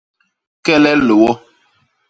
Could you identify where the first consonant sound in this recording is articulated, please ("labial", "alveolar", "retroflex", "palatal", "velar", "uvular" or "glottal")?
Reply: velar